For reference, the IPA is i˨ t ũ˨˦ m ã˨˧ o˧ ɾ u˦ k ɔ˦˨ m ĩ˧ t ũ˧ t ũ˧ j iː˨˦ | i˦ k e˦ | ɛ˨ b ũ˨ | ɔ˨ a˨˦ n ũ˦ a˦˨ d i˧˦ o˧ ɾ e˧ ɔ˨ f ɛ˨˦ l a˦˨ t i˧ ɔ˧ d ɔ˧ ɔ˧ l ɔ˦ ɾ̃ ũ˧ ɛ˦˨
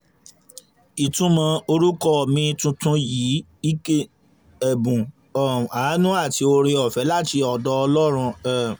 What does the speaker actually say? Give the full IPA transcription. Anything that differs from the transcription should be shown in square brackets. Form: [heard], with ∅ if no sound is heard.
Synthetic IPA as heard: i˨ t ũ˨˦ m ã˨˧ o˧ ɾ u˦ k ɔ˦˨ m ĩ˧ t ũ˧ t ũ˧ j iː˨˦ | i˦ k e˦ | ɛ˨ b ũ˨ | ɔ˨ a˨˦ n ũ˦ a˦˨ [t] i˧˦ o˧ ɾ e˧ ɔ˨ f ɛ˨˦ l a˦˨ t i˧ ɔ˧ d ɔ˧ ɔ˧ l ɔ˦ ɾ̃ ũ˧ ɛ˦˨